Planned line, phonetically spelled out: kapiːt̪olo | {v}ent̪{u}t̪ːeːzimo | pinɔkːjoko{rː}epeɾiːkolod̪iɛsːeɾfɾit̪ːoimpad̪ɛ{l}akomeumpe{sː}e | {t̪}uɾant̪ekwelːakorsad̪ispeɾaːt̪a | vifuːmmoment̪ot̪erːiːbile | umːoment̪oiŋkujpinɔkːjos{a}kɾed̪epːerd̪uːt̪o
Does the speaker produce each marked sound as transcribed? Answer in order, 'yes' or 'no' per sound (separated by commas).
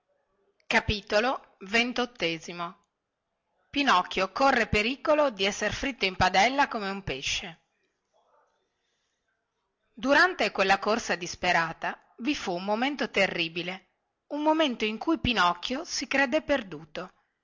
yes, no, yes, no, no, no, no